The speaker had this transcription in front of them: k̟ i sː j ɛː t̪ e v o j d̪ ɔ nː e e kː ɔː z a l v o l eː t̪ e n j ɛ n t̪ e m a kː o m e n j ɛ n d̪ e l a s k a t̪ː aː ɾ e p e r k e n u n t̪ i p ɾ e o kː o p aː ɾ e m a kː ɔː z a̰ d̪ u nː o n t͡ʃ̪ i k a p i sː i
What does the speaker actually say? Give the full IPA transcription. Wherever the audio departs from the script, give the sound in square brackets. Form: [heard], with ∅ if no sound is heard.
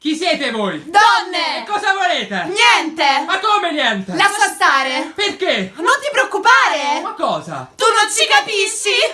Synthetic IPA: k̟ i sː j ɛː t̪ e v o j d̪ ɔ nː e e kː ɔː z a [∅] v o l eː t̪ e n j ɛ n t̪ e m a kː o m e n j ɛ n [t̪] e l a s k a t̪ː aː ɾ e p e r k e n [o] n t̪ i p ɾ e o kː [u] p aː ɾ e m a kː ɔː z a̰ [t̪] u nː o n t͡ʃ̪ i k a p i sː i